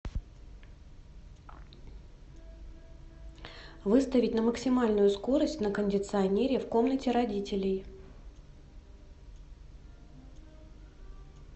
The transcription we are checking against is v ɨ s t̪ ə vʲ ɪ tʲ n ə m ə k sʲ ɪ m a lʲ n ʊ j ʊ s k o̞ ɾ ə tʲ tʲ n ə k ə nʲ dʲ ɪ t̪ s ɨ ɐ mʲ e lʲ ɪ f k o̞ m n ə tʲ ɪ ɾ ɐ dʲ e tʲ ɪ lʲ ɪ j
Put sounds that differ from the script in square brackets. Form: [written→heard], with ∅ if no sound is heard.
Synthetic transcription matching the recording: v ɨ s t̪ ə vʲ ɪ tʲ n ə m ə k sʲ ɪ m a lʲ n ʊ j ʊ s k o̞ ɾ ə [tʲ→sʲ] tʲ n ə k ə nʲ dʲ ɪ t̪ s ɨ ɐ [mʲ→nʲ] e [lʲ→ɾʲ] ɪ f k o̞ m n ə tʲ ɪ ɾ ɐ dʲ [e→i] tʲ ɪ lʲ ɪ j